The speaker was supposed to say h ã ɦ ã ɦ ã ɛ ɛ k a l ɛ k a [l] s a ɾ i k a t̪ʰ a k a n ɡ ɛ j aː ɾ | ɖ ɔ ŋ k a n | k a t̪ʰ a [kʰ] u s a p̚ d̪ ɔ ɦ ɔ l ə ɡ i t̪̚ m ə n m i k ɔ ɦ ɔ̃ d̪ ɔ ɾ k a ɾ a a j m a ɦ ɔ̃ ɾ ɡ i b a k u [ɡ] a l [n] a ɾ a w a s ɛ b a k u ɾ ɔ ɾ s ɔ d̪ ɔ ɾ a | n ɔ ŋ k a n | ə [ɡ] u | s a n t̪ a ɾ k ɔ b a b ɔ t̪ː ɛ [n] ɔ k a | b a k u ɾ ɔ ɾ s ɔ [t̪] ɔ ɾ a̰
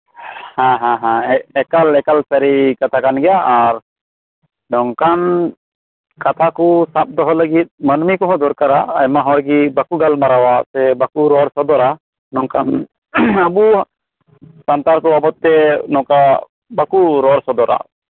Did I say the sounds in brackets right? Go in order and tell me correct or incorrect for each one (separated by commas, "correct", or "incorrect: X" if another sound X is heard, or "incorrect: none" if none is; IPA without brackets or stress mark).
correct, incorrect: k, correct, incorrect: m, incorrect: b, correct, incorrect: d̪